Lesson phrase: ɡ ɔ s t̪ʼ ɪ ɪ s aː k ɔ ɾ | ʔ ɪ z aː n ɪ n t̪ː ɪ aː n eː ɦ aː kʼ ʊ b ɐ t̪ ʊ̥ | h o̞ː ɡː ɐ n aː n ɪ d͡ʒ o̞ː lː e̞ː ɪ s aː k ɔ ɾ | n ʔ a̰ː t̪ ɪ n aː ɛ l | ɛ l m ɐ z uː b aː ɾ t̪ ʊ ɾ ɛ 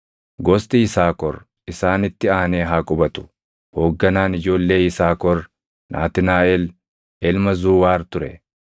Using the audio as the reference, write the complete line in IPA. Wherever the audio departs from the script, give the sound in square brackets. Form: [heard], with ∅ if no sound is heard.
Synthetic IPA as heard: ɡ ɔ s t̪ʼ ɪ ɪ s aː k ɔ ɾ | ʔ ɪ [s] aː n ɪ [∅] t̪ː ɪ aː n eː ɦ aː kʼ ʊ b ɐ t̪ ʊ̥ | h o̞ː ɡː ɐ n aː n ɪ d͡ʒ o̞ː lː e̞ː ɪ s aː k ɔ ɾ | n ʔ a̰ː t̪ ɪ n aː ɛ l | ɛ l m ɐ z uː [w] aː ɾ t̪ ʊ ɾ ɛ